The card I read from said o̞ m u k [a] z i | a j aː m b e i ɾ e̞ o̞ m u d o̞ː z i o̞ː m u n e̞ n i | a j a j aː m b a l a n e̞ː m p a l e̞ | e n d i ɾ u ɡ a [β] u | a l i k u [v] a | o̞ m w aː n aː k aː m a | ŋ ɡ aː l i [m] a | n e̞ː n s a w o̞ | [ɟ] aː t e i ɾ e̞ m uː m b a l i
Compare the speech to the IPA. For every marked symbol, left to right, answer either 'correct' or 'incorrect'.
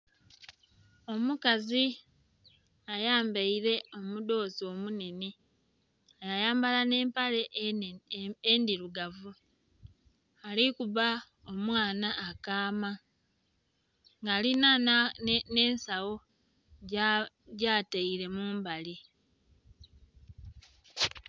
correct, incorrect, incorrect, incorrect, correct

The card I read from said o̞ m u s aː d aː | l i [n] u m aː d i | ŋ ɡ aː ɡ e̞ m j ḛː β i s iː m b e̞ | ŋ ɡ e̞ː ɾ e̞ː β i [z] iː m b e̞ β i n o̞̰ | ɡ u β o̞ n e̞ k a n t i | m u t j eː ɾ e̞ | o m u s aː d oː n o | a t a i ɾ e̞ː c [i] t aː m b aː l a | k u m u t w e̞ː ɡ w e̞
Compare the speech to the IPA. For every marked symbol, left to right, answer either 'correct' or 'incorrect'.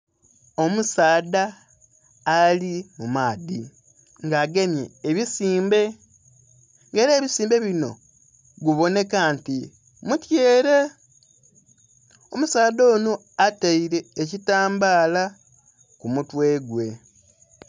incorrect, incorrect, correct

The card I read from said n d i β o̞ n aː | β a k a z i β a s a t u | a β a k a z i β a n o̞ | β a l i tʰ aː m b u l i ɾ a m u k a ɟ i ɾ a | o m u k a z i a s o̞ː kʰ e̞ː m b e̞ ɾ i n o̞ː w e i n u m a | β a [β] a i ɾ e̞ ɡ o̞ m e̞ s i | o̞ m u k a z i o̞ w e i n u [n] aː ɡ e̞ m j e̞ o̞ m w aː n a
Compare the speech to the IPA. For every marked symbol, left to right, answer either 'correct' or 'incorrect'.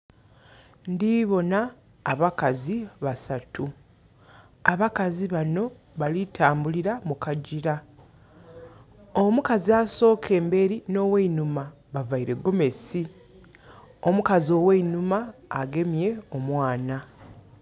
incorrect, incorrect

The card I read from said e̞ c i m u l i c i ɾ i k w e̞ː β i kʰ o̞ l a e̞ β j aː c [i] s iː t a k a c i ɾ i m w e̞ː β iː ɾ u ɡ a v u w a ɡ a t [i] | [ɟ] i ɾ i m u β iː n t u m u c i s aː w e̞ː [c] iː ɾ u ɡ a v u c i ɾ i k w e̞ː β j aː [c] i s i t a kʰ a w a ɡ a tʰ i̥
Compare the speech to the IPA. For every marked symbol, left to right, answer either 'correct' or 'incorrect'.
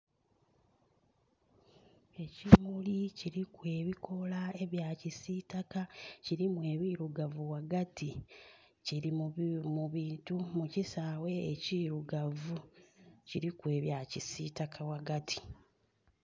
correct, correct, incorrect, correct, correct

